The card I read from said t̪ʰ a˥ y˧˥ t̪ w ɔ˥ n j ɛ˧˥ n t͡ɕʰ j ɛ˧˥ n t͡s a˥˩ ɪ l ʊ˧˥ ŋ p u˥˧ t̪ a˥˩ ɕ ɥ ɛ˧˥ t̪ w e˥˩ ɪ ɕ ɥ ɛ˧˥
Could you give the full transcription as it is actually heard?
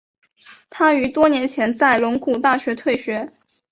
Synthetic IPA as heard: t̪ʰ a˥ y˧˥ t̪ w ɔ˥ n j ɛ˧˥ n t͡ɕʰ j ɛ˧˥ n t͡s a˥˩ ɪ l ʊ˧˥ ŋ k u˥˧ t̪ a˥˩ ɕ ɥ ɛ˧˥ t̪ʰ w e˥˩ ɪ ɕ ɥ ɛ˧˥